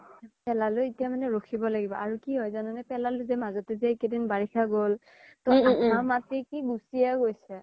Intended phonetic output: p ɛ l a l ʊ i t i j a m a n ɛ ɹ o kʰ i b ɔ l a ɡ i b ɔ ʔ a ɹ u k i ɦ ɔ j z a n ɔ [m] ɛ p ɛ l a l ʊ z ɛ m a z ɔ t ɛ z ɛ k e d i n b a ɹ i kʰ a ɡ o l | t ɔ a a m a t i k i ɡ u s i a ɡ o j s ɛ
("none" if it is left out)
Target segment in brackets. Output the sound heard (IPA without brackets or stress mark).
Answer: n